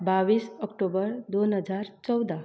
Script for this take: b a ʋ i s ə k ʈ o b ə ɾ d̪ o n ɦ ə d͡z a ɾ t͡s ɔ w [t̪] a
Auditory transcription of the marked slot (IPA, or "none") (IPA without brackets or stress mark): d̪